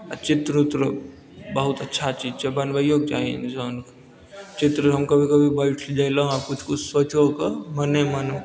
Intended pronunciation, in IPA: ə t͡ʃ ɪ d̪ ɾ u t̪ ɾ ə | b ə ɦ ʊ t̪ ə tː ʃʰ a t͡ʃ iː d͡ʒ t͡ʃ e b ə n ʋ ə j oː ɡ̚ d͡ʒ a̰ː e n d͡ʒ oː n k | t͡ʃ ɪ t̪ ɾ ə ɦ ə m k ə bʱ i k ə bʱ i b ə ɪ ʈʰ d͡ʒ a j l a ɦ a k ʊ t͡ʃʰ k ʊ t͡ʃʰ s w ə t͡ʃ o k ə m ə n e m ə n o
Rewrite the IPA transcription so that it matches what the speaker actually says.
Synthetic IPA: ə t͡ʃ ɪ t̪ ɾ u t̪ ɾ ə | b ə ɦ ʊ t̪ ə tː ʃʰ a t͡ʃ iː d͡ʒ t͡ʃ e b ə n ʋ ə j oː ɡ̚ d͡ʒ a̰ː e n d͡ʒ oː n k | t͡ʃ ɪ t̪ ɾ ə ɦ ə m k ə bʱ i k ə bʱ i b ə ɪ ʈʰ d͡ʒ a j l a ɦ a k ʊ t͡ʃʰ k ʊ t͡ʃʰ s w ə t͡ʃ o k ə m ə n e m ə n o